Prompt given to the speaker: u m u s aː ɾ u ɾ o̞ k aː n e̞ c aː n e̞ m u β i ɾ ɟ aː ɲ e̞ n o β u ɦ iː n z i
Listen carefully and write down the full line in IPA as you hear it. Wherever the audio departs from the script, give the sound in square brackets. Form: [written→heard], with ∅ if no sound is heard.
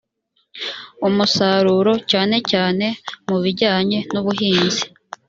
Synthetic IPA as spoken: u m u s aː ɾ u ɾ o̞ [k→c] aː n e̞ c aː n e̞ m u β i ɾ ɟ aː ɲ e̞ n [o→u] β u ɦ iː n z i